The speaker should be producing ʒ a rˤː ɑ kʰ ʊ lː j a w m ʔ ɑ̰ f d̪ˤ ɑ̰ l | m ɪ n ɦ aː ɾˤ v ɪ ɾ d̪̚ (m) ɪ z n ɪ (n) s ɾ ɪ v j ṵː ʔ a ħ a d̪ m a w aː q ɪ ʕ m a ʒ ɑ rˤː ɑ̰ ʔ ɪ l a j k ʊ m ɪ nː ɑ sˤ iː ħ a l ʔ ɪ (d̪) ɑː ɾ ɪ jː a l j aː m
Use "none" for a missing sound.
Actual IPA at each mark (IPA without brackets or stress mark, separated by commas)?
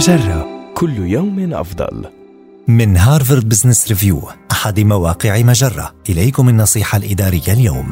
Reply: b, none, d̪